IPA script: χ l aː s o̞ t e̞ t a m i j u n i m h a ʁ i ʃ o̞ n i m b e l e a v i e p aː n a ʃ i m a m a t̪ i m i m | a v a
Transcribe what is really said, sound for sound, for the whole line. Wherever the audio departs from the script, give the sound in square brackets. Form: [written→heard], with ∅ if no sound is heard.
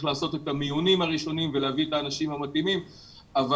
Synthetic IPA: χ l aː s o̞ t e̞ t a m i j u n i m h a ʁ i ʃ o̞ n i m [b→v] e l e a v i e [p→t] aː n a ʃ i m a m a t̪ i m i m | a v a